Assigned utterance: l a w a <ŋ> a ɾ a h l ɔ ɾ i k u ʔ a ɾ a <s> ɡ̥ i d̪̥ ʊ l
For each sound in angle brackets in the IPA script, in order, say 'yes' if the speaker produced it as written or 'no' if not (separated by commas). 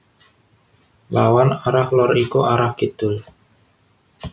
no, no